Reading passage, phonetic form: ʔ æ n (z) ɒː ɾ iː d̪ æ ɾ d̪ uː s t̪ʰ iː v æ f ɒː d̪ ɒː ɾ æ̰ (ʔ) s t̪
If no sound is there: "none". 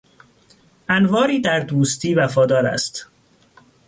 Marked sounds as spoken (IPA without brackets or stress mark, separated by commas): v, none